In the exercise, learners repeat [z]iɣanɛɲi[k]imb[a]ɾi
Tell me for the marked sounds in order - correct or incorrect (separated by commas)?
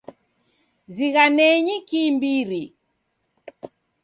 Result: correct, correct, incorrect